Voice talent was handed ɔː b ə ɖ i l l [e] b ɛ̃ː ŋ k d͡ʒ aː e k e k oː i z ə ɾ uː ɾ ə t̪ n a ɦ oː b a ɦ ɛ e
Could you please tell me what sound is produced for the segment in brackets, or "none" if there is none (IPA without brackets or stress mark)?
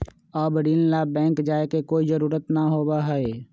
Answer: a